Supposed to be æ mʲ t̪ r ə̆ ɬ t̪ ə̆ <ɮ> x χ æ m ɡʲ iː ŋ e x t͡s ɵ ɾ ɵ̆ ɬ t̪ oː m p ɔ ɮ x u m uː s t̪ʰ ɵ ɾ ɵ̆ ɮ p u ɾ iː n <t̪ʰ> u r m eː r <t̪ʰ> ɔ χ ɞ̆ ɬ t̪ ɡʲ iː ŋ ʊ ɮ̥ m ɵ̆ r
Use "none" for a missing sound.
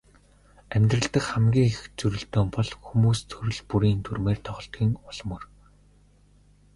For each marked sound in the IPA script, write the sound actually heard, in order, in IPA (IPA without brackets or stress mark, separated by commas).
none, t̪ʰ, t̪ʰ